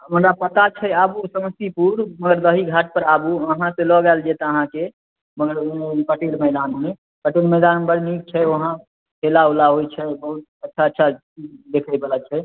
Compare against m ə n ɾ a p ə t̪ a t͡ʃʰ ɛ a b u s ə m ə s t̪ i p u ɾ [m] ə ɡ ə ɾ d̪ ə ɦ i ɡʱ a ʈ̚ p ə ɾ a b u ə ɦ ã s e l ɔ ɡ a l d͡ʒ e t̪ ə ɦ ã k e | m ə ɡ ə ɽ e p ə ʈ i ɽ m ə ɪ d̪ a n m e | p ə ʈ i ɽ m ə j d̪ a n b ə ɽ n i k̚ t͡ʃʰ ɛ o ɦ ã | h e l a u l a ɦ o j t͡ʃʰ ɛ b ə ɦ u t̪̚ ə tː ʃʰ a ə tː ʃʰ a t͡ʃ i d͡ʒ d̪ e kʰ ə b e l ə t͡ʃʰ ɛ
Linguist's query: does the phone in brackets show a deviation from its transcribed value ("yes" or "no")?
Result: no